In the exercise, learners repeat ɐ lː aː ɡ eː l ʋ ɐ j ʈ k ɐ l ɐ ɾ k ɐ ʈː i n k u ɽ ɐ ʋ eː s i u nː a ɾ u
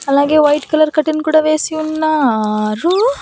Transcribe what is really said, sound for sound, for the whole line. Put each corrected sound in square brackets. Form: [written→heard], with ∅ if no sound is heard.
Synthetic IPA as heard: ɐ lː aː ɡ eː [l→∅] ʋ ɐ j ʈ k ɐ l ɐ ɾ k ɐ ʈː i n k [u→uː] ɽ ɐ ʋ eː s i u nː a ɾ u

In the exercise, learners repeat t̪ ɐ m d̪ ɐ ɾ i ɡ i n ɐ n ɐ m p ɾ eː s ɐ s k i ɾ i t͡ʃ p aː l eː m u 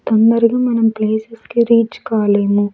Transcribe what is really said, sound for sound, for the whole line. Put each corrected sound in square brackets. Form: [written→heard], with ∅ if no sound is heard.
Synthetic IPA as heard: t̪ ɐ [m→n] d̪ ɐ ɾ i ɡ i [n→m] ɐ n ɐ m p [ɾ→l] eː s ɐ s k i ɾ [i→iː] t͡ʃ [p→k] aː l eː m u

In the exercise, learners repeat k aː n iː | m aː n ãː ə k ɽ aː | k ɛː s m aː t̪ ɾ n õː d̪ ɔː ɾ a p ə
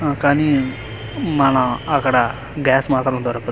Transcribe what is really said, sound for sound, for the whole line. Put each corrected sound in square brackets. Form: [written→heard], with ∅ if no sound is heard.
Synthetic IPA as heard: k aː n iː | m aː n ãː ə k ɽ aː | [k→ɡ] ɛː s m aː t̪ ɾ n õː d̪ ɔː ɾ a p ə

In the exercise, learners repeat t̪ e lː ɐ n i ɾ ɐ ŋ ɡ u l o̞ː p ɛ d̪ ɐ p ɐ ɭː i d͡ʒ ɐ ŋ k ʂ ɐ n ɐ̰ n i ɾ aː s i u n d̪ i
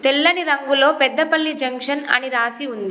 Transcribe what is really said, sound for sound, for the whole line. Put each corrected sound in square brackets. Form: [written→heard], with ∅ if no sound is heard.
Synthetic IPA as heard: t̪ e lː ɐ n i ɾ ɐ ŋ ɡ u l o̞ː p ɛ [d̪→d̪ː] ɐ p ɐ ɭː i d͡ʒ ɐ ŋ k ʂ ɐ n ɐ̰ n i ɾ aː s i u n d̪ i

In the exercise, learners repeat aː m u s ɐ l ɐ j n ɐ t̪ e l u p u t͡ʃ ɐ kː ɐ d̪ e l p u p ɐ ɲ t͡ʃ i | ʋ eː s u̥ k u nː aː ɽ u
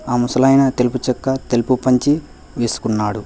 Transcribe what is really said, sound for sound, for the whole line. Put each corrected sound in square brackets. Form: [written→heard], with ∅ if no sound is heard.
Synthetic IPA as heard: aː m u s ɐ l ɐ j n ɐ t̪ e l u p u t͡ʃ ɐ kː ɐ [d̪→t̪] e l p u p ɐ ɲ t͡ʃ i | ʋ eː s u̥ k u nː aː ɽ u

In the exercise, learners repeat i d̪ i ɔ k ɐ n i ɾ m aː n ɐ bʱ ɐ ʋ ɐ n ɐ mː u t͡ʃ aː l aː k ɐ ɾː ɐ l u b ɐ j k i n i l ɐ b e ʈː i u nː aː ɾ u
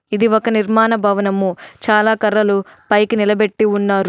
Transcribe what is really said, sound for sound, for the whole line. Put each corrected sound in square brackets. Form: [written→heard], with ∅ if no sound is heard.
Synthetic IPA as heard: i d̪ i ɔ k ɐ n i ɾ m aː n ɐ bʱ ɐ ʋ ɐ n ɐ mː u t͡ʃ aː l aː k ɐ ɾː ɐ l u [b→p] ɐ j k i n i l ɐ b e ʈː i u nː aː ɾ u

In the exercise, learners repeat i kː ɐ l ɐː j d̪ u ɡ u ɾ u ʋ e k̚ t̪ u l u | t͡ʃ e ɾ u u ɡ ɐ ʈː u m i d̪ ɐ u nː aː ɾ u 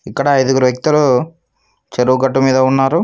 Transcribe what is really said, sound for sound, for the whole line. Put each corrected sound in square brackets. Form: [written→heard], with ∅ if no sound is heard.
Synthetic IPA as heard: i kː ɐ [l→ɽ] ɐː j d̪ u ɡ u ɾ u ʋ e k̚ t̪ u l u | t͡ʃ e ɾ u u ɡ ɐ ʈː u m [i→iː] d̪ ɐ u nː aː ɾ u

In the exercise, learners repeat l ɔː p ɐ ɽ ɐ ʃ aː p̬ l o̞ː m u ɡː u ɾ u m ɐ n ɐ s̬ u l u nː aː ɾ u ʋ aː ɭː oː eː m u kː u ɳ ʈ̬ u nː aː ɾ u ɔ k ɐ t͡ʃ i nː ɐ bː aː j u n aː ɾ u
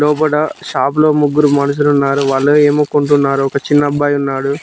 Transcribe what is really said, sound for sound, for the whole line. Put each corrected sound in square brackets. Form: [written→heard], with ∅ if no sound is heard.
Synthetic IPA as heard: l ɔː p ɐ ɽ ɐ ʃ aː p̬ l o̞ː m u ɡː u ɾ u m ɐ n ɐ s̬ u l u nː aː ɾ u ʋ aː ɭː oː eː m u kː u ɳ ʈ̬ u nː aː ɾ u ɔ k ɐ t͡ʃ i nː ɐ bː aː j u [n→nː] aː [ɾ→ɽ] u

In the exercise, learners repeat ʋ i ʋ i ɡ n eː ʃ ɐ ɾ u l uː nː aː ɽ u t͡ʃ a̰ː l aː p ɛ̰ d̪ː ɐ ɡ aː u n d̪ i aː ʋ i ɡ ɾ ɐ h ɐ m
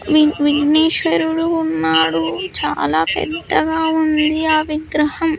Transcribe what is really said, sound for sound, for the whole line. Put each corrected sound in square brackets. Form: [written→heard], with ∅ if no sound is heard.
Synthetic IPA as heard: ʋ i ʋ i ɡ n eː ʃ ɐ ɾ u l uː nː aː ɽ u t͡ʃ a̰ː l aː p ɛ̰ d̪ː ɐ ɡ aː u n d̪ i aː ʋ i ɡ ɾ ɐ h ɐ m

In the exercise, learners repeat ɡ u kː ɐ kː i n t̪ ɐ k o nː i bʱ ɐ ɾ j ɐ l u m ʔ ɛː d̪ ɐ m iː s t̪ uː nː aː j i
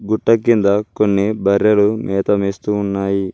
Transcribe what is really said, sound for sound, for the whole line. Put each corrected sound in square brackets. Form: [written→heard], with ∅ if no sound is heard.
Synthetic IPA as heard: ɡ u [kː→ʈː] ɐ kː i n [t̪→d̪] ɐ k o nː i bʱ ɐ ɾ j ɐ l u m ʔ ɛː [d̪→t̪] ɐ m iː s t̪ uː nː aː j i

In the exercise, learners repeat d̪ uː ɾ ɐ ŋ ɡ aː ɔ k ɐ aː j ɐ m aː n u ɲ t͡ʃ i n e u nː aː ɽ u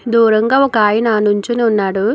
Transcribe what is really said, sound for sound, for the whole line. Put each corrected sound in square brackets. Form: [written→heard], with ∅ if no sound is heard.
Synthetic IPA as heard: d̪ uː ɾ ɐ ŋ ɡ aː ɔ k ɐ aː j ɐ [m→n] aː n u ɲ t͡ʃ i n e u nː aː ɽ u

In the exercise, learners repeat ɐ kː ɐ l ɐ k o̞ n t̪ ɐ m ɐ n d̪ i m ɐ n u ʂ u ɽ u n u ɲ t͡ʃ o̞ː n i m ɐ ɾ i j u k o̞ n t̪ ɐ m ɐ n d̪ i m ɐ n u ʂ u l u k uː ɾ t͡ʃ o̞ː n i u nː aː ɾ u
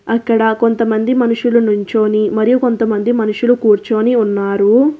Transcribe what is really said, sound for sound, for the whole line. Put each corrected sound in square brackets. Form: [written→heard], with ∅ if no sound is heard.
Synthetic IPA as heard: ɐ kː ɐ [l→ɽ] ɐ k o̞ n t̪ ɐ m ɐ n d̪ i m ɐ n u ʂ u [ɽ→l] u n u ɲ t͡ʃ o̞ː n i m ɐ ɾ i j u k o̞ n t̪ ɐ m ɐ n d̪ i m ɐ n u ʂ u l u k uː ɾ t͡ʃ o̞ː n i u nː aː ɾ u

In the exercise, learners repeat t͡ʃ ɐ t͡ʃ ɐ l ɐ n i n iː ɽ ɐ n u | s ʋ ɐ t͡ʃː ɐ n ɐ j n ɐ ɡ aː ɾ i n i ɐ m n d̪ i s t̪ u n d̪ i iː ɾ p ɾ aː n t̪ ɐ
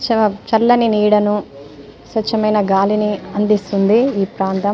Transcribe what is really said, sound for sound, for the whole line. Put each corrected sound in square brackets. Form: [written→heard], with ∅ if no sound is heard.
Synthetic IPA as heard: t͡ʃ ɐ t͡ʃ ɐ [l→lː] ɐ n i n iː ɽ ɐ n u | s ʋ ɐ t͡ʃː ɐ [n→m] ɐ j n ɐ ɡ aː [ɾ→l] i n i ɐ [m→∅] n d̪ i s t̪ u n d̪ i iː [ɾ→∅] p ɾ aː n t̪ ɐ

